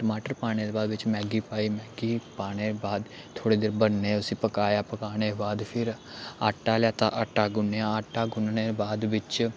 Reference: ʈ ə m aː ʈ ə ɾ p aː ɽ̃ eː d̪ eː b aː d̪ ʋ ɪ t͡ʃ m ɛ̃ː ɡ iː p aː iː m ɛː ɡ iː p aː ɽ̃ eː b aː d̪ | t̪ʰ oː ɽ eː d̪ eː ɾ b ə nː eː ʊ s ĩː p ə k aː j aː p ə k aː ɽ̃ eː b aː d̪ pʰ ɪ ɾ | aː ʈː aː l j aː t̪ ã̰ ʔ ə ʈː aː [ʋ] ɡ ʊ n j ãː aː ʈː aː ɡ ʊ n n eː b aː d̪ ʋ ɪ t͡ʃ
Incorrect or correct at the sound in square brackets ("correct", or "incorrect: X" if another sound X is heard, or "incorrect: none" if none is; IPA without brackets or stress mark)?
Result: incorrect: none